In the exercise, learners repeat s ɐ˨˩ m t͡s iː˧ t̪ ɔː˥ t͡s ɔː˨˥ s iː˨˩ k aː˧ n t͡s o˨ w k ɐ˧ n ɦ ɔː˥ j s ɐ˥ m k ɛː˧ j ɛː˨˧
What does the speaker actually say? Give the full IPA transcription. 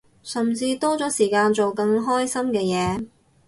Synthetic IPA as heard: s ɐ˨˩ m t͡s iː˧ t̪ ɔː˥ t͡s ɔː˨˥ s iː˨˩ k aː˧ n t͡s o˨ w k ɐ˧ ŋ ɦ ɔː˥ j s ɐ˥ m k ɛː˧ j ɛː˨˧